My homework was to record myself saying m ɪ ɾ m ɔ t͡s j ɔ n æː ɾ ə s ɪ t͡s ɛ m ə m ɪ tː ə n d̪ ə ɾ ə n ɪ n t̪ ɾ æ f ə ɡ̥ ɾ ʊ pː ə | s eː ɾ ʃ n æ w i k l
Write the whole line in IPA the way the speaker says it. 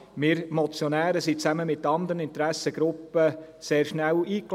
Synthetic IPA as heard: m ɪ ɾ m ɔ t͡s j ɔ n æː ɾ ə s i t͡s æ m ə m ɪ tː ɑ n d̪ ə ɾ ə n ɪ n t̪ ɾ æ s ə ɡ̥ ɾ ʊ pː ə | s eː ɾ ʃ n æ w iː k l